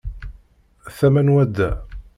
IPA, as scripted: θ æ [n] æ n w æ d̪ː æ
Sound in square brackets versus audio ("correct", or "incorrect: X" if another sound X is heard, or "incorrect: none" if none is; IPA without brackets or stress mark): incorrect: m